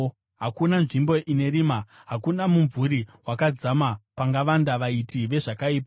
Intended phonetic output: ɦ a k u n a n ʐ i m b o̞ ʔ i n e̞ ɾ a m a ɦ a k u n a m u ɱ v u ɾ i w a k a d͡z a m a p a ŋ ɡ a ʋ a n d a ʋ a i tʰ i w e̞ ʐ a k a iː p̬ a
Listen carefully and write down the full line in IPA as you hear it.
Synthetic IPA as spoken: ɦ a k u n a n ʐ i m b o̞ ʔ i n e̞ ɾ i m a ɦ a k u n a m u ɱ v u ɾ i w a k a d͡z a m a p a ŋ ɡ a ʋ a n d a ʋ a i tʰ i ʋ e̞ ʐ a k a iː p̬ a